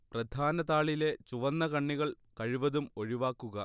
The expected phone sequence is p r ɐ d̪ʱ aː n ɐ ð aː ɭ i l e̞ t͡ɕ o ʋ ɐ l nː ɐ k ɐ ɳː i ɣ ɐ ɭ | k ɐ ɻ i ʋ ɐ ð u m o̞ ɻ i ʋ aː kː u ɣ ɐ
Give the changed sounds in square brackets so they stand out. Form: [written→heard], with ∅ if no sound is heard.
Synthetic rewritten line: p r ɐ d̪ʱ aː n ɐ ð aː ɭ i l e̞ t͡ɕ [o→u] ʋ ɐ [l→∅] nː ɐ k ɐ ɳː i ɣ ɐ ɭ | k ɐ ɻ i ʋ ɐ ð u m o̞ ɻ i ʋ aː kː u ɣ ɐ